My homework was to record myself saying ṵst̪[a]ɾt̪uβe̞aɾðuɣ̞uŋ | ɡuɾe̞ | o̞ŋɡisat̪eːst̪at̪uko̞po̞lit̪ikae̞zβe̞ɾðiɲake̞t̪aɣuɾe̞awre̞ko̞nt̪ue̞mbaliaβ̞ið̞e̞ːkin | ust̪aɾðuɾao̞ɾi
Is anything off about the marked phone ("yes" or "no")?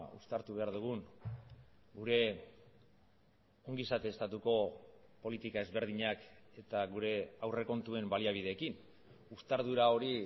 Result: no